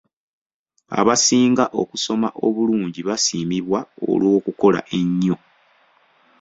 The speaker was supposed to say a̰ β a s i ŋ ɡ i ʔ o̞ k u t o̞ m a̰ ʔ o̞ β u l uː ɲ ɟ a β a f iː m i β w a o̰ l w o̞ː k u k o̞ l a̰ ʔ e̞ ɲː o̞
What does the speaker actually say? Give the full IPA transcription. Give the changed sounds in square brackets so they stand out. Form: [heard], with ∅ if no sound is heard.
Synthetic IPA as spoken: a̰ β a s [iː] ŋ ɡ [a] ʔ o̞ k u [s] o̞ m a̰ ʔ o̞ β u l uː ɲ ɟ [i] β a [s] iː m i β w a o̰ l w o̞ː k u k o̞ l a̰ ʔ e̞ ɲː o̞